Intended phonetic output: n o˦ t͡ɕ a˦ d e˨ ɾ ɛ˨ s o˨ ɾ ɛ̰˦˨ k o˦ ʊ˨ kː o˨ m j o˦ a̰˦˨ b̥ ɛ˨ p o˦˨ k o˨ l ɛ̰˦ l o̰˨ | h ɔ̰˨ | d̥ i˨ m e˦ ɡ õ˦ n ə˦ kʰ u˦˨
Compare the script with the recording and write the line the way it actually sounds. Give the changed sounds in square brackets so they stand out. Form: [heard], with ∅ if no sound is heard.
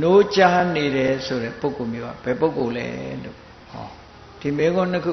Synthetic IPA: n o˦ t͡ɕ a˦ [n] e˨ ɾ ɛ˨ s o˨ ɾ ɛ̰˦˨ [p] o˦ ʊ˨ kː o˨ m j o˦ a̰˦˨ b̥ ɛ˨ p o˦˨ k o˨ l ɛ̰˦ l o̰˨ | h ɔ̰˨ | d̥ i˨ m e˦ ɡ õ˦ n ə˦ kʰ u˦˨